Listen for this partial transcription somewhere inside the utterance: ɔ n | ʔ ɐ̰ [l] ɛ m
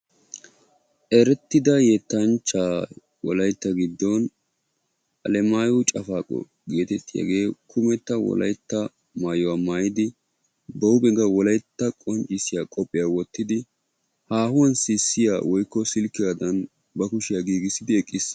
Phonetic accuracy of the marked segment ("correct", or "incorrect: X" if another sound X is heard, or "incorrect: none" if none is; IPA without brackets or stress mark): correct